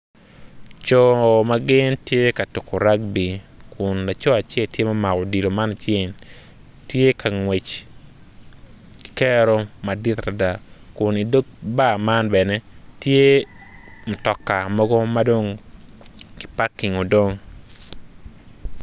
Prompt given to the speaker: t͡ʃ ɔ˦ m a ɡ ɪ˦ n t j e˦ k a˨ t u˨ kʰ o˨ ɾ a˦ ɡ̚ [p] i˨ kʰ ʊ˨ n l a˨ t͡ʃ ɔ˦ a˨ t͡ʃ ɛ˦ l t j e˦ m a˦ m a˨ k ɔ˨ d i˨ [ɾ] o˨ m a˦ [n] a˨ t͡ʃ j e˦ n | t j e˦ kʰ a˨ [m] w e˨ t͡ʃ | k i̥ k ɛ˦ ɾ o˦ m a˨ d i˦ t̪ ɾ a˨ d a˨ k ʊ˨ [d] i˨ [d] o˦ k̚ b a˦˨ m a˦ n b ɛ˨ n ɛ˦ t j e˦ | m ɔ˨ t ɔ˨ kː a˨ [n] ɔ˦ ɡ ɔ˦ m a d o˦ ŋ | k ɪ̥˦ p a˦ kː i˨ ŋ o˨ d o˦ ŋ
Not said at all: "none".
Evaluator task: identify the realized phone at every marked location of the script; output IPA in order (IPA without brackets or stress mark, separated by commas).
b, l, n, ŋ, n, d, m